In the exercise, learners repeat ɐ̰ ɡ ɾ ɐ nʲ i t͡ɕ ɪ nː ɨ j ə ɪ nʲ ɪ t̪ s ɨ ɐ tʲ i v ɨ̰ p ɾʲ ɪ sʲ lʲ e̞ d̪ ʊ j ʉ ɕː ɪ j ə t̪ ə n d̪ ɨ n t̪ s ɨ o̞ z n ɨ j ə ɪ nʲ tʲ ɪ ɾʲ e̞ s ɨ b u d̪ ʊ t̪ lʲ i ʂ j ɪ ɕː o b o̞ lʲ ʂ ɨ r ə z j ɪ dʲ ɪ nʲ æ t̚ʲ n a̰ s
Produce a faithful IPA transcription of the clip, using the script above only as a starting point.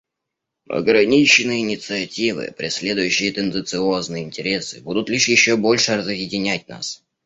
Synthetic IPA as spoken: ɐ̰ ɡ ɾ ɐ nʲ i t͡ɕ ɪ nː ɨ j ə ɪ nʲ ɪ t̪ s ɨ ɐ tʲ i v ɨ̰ p ɾʲ ɪ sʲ lʲ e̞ d̪ ʊ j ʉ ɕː ɪ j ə t̪ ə n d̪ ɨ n t̪ s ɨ o̞ z n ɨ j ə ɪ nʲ tʲ ɪ ɾʲ e̞ s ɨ b u d̪ ʊ t̪ lʲ i ʂ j ɪ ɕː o b o̞ lʲ ʂ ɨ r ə z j ɪ dʲ ɪ nʲ æ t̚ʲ n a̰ s

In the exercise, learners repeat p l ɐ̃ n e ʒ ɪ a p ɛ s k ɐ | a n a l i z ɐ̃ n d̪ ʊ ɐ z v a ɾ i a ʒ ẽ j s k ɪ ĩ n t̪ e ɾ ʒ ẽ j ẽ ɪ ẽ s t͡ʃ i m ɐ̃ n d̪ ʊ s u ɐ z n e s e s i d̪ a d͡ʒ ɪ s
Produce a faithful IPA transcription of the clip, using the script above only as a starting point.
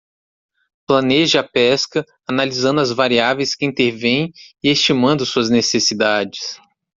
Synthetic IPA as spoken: p l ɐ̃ n e ʒ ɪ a p ɛ s k ɐ | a n a l i z ɐ̃ n d̪ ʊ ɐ z v a ɾ i a v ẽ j s k ɪ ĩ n t̪ e ɾ v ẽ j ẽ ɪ e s t͡ʃ i m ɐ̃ n d̪ ʊ s u ɐ z n e s e s i d̪ a d͡ʒ ɪ s

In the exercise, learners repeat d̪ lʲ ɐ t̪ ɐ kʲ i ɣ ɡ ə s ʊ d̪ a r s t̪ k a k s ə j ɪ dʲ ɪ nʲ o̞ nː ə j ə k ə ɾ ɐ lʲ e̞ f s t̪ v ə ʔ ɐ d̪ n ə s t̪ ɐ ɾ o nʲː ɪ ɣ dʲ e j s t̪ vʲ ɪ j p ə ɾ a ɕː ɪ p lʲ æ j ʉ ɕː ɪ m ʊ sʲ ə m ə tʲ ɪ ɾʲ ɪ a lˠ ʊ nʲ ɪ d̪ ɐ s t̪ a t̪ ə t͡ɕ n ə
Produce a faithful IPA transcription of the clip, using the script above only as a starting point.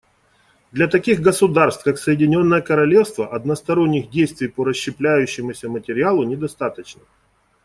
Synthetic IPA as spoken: d̪ lʲ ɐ t̪ ɐ kʲ i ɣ ɡ ə s ʊ d̪ a r s t̪ k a k s ə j ɪ dʲ ɪ nʲ o̞ nː ə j ə k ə ɾ ɐ lʲ e̞ f s t̪ v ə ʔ ɐ d̪ n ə s t̪ ɐ ɾ o nʲː ɪ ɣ dʲ e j s t̪ vʲ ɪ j p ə ɾ ə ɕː ɪ p lʲ æ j ʉ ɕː ɪ m ʊ sʲ ə m ə tʲ ɪ ɾʲ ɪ a lˠ ʊ nʲ ɪ d̪ ɐ s t̪ a t̪ ə t͡ɕ n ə

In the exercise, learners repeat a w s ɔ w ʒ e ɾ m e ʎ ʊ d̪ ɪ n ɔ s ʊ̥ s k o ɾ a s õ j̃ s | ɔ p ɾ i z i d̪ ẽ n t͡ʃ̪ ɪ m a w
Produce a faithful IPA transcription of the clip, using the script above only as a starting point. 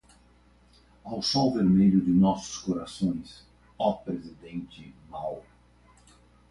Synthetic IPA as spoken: a w s ɔ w v e ɾ m e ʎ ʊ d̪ ɪ n ɔ s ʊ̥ s k o ɾ a s õ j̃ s | ɔ p ɾ e z i d̪ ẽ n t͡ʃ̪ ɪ m a w

